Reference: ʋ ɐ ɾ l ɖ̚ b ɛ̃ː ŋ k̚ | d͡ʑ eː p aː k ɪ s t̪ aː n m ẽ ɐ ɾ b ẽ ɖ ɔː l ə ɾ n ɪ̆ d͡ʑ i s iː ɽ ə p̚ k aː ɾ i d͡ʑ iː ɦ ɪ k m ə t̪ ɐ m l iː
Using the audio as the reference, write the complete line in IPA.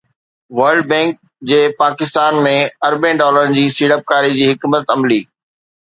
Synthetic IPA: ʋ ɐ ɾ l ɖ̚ b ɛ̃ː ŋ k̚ | d͡ʑ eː p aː k ɪ s t̪ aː n m ẽ ɐ ɾ b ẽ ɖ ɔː l ə ɾ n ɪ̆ d͡ʑ iː s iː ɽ ə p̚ k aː ɾ i d͡ʑ iː ɦ ɪ k m ə t̪ ɐ m l iː